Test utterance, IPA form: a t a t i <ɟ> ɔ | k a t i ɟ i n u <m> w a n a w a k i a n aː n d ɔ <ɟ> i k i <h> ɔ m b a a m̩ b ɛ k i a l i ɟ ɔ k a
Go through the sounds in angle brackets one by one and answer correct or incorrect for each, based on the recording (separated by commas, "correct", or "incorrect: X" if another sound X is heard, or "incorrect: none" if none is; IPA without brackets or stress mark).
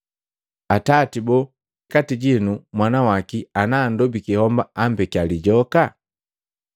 incorrect: b, correct, incorrect: b, correct